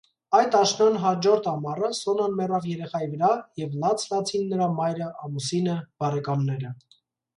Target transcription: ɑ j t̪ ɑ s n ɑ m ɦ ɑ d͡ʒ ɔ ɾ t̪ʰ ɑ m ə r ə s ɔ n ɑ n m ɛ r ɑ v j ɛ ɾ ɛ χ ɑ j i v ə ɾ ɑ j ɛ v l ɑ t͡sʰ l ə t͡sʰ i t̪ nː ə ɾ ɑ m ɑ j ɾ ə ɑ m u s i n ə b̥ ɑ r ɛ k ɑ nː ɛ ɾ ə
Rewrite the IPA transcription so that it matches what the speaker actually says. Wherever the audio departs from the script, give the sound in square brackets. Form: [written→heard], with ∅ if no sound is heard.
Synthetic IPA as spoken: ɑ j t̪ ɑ [s→ʃ] n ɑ [m→n] ɦ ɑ d͡ʒ ɔ ɾ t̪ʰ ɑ m [ə→ɑ] r ə s ɔ n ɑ n m ɛ r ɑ v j ɛ ɾ ɛ χ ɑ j i v ə ɾ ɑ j ɛ v l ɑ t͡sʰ l [ə→ɑ] t͡sʰ i [t̪→∅] nː ə ɾ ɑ m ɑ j ɾ ə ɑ m u s i n ə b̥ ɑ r ɛ k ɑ nː ɛ ɾ ə

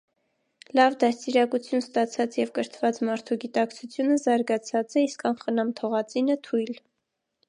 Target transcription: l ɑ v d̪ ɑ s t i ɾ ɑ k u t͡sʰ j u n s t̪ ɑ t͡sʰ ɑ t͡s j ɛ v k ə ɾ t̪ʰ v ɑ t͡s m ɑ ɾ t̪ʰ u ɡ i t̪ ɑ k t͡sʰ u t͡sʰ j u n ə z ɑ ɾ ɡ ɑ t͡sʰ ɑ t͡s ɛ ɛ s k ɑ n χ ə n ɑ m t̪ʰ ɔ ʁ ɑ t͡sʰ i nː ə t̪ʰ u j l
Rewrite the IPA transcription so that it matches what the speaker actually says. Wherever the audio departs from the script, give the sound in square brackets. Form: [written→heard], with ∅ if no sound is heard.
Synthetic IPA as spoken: l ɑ v d̪ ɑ s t i ɾ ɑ k u t͡sʰ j u n s t̪ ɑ t͡sʰ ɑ t͡s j ɛ v k ə ɾ t̪ʰ v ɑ t͡s m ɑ ɾ t̪ʰ u ɡ i t̪ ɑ k t͡sʰ u t͡sʰ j u n ə z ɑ ɾ ɡ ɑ t͡sʰ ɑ t͡s ɛ [ɛ→i] s k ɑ n χ ə n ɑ m t̪ʰ ɔ ʁ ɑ [t͡sʰ→t͡s] i [nː→n] ə t̪ʰ u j l

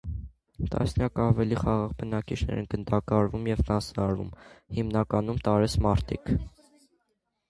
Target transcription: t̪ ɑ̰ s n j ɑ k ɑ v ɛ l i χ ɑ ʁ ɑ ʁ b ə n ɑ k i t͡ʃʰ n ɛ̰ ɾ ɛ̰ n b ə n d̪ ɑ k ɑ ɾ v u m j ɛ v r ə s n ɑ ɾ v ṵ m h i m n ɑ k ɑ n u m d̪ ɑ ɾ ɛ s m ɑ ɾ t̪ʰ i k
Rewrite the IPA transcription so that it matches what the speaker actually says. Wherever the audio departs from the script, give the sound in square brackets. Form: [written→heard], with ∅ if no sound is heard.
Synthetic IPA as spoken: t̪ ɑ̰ s n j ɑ k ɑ v ɛ l i χ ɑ ʁ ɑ ʁ b ə n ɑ k i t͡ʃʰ n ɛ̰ ɾ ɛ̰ n [b→ɡ] ə n d̪ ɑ k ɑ ɾ v u m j ɛ v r [ə→ɑ] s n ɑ ɾ v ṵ m h i m n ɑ k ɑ n u m [d̪→t̪] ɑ ɾ ɛ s m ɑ ɾ t̪ʰ i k

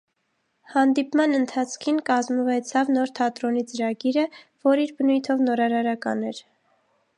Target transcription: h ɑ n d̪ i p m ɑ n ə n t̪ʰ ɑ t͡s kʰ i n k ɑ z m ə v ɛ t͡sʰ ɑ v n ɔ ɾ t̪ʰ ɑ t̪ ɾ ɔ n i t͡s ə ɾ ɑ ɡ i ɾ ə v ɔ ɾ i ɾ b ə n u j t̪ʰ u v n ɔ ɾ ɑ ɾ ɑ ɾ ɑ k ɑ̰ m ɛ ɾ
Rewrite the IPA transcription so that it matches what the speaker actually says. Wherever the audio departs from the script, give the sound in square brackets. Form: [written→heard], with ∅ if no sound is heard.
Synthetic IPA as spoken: h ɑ n d̪ i p m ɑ n ə n t̪ʰ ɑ [t͡s→t͡sʰ] kʰ i n k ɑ z m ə v ɛ t͡sʰ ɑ v n ɔ ɾ t̪ʰ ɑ t̪ ɾ ɔ n i t͡s ə ɾ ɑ ɡ i ɾ ə v ɔ ɾ i ɾ b ə n u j t̪ʰ [u→ɔ] v n ɔ ɾ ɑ ɾ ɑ ɾ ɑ k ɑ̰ [m→n] ɛ ɾ

